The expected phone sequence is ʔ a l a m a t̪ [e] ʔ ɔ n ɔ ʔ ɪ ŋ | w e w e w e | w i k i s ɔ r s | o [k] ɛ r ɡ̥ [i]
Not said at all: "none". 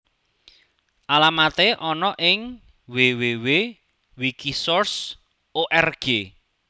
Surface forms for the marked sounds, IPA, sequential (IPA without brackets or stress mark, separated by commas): e, ʔ, e